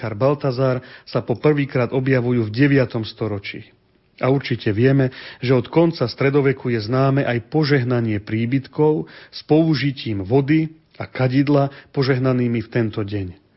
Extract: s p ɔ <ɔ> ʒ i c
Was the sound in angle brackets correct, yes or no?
no